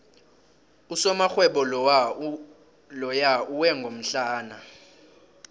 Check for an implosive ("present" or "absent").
present